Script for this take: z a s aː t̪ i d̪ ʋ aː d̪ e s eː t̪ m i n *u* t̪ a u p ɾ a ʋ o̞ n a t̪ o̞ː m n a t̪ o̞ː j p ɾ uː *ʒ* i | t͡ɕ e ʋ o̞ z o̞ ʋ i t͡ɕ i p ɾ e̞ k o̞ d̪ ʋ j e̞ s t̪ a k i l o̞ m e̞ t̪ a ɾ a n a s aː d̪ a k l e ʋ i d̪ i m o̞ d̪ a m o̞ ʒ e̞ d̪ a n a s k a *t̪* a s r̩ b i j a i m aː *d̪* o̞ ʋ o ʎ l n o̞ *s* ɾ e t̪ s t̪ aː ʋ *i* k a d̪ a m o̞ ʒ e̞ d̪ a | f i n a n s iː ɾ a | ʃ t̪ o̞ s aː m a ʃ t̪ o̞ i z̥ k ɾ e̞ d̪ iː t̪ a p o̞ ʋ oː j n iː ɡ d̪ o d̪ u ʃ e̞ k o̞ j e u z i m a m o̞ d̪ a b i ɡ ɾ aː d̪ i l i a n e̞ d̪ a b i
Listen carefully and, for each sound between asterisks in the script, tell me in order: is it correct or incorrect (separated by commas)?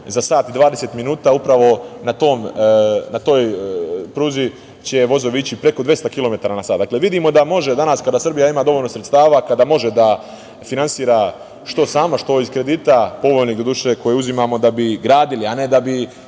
incorrect, incorrect, incorrect, correct, correct, incorrect